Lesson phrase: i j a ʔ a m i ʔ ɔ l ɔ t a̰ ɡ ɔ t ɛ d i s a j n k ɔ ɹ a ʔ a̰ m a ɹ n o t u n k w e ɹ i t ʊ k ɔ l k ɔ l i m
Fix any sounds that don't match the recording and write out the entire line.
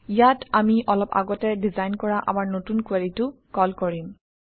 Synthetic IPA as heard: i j a t a m i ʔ ɔ l ɔ p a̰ ɡ ɔ t ɛ d i z a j n k ɔ ɹ a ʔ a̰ m a ɹ n o t u n k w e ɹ i t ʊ k ɔ l k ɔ ɹ i m